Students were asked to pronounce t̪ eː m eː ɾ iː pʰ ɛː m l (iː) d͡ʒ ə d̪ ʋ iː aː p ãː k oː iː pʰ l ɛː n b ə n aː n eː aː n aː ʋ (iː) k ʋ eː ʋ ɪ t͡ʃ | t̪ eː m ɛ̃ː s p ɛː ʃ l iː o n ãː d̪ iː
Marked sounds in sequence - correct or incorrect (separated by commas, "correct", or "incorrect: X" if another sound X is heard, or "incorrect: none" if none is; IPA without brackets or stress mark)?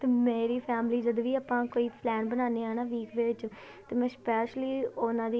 correct, correct